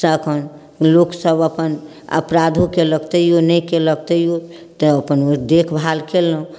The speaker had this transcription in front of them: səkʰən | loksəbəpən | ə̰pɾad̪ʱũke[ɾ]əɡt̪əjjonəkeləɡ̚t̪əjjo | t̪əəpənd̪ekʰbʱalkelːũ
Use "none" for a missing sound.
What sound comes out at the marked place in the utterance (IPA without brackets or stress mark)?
l